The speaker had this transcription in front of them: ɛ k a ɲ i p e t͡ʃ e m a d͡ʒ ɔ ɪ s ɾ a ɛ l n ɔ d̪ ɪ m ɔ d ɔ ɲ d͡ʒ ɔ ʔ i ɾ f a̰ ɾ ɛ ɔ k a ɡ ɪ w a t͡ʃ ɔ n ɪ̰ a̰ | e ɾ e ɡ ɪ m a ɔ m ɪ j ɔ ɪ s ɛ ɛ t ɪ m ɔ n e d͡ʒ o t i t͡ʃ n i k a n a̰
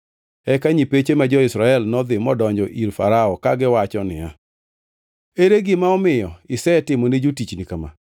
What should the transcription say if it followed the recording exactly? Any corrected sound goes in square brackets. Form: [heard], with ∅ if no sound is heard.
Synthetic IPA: ɛ k a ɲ i p e t͡ʃ e m a d͡ʒ ɔ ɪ s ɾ a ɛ l n ɔ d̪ ɪ m ɔ d ɔ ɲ d͡ʒ ɔ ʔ i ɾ f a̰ ɾ [a] ɔ k a ɡ ɪ w a t͡ʃ ɔ n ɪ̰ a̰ | e ɾ e ɡ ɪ m a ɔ m ɪ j ɔ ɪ s ɛ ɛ t ɪ m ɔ n e d͡ʒ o t i t͡ʃ n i k a [m] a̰